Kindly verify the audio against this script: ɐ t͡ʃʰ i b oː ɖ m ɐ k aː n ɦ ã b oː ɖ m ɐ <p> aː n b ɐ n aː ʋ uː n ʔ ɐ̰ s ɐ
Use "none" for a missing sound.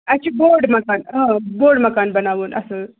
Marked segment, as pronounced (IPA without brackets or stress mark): k